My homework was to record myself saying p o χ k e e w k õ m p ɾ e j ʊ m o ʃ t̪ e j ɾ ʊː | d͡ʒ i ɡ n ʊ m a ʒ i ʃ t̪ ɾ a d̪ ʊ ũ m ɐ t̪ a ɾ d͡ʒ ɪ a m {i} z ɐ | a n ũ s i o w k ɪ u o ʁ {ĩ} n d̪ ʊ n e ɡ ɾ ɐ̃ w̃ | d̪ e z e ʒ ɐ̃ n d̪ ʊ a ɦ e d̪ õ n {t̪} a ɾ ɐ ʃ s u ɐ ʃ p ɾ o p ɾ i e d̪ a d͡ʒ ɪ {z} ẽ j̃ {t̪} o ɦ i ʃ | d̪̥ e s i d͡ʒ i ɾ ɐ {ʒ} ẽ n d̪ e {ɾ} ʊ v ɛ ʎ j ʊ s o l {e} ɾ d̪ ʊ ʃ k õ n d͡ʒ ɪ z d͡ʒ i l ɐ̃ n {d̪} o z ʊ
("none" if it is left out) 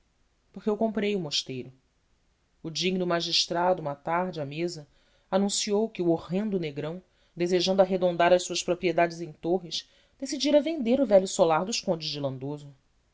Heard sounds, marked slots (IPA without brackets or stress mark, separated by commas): e, ẽ, d̪, z, t̪, v, ɾ, a, d̪